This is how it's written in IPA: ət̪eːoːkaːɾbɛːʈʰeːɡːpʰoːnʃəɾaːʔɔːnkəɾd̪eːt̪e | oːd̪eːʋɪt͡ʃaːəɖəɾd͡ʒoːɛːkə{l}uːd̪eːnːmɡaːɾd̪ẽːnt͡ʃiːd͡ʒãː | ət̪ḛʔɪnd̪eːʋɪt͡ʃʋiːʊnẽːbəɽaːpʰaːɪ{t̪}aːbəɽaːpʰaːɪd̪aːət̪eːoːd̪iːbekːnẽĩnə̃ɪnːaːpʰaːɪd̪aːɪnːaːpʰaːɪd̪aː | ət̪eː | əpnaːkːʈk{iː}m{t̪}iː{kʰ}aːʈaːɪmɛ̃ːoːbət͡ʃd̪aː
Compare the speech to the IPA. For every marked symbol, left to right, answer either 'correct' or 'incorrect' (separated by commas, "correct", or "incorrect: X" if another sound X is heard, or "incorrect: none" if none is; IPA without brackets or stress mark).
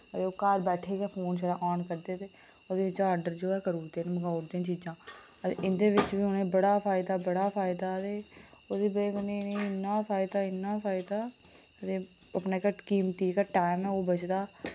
incorrect: ɾ, incorrect: d̪, correct, correct, incorrect: k